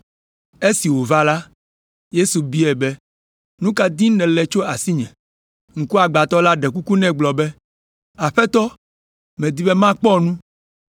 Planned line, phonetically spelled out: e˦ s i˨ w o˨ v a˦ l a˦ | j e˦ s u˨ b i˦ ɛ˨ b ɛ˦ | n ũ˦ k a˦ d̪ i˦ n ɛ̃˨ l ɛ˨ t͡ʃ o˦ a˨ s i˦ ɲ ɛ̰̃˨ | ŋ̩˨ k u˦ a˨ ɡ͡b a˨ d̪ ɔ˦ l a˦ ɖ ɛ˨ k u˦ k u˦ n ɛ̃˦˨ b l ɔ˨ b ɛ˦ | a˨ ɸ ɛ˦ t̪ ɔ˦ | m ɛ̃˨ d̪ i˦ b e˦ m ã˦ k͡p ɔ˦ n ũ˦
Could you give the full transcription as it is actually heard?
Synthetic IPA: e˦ s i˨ w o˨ v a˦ l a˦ | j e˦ s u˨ b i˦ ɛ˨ b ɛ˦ | n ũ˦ k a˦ d̪ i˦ n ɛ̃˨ l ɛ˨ t͡ʃ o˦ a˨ s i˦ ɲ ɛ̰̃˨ | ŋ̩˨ k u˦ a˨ ɡ͡b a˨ t̪ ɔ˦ l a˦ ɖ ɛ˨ k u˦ k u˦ n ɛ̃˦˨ ɡ͡b l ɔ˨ b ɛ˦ | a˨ ɸ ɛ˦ t̪ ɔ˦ | m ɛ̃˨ d̪ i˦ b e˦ m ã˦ k͡p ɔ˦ n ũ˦